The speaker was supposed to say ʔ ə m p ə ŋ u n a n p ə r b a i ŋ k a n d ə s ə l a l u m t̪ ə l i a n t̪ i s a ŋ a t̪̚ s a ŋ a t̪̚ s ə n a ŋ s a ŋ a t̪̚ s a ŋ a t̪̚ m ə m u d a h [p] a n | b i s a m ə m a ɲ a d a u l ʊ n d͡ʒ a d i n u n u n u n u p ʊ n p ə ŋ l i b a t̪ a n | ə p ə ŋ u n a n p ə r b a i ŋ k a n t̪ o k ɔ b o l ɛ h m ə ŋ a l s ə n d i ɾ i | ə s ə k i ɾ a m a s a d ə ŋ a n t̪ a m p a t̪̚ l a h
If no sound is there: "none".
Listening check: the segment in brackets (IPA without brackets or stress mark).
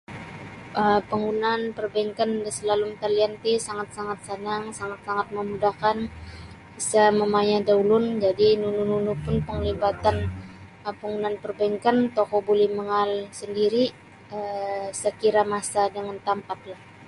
k